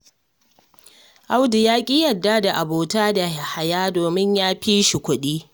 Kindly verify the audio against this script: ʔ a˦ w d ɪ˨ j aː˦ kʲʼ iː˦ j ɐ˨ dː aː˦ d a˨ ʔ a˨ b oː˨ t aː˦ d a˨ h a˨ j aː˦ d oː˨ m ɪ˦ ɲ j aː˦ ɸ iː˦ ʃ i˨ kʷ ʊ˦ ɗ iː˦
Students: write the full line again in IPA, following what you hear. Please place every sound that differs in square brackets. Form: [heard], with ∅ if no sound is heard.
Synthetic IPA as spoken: ʔ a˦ w d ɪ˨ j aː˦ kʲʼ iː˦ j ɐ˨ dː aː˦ d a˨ ʔ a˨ b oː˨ t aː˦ d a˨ h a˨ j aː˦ d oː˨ m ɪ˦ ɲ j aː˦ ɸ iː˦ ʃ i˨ kʷ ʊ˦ ɗ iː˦